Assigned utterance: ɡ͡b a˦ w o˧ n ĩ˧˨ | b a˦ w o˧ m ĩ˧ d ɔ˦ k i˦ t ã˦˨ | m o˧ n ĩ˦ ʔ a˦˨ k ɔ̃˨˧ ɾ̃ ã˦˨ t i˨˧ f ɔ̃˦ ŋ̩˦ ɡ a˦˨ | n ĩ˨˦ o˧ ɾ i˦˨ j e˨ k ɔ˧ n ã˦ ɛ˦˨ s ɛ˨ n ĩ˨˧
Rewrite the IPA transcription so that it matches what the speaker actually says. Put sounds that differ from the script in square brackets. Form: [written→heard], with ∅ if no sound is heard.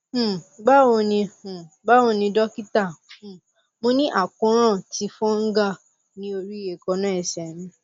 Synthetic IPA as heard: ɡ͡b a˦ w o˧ n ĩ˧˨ | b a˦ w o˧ [m→n] ĩ˧ d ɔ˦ k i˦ t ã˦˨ | m o˧ n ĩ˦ ʔ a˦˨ k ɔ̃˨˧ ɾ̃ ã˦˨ t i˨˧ f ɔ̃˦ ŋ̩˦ ɡ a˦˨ | n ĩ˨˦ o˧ ɾ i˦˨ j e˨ k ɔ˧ n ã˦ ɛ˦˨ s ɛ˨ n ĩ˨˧